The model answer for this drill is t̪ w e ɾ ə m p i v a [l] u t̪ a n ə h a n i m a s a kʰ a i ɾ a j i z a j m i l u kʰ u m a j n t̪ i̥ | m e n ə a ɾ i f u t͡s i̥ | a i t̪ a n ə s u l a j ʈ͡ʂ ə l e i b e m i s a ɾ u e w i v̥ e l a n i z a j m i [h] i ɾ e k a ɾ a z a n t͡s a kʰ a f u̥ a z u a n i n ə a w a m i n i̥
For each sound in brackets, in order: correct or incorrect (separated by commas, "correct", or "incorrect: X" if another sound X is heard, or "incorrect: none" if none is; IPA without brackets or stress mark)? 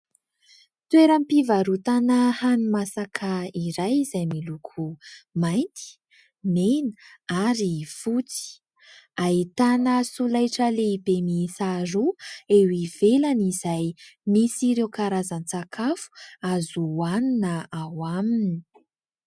incorrect: ɾ, incorrect: s